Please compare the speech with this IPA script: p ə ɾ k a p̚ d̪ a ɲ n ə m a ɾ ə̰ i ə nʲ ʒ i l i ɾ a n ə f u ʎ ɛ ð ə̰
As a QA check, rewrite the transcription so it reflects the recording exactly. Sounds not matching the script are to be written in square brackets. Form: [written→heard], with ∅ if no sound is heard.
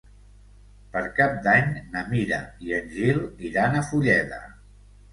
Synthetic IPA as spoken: p ə ɾ k a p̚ d̪ a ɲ n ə m [a→i] ɾ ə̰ i ə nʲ ʒ i l i ɾ a n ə f u ʎ ɛ ð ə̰